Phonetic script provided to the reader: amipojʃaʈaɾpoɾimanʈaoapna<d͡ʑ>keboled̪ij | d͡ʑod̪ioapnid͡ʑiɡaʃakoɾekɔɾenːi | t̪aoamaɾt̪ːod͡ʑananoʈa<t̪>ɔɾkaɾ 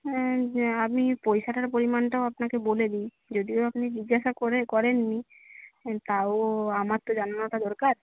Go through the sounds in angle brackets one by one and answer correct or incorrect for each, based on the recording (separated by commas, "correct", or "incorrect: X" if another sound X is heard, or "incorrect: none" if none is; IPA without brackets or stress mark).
incorrect: none, incorrect: d̪